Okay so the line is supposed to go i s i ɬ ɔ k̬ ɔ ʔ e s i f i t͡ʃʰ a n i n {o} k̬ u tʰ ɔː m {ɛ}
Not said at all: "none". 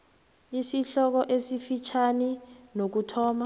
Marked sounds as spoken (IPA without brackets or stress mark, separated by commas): o, a